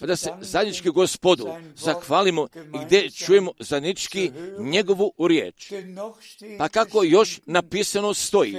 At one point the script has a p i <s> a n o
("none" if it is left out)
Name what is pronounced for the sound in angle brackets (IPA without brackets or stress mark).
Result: s